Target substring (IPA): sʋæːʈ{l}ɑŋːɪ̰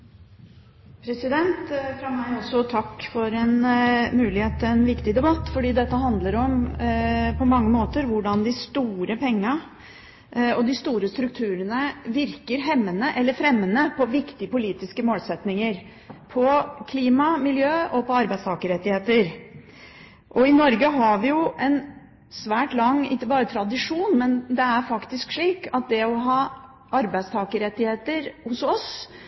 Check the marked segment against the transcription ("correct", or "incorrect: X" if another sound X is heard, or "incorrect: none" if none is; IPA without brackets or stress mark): correct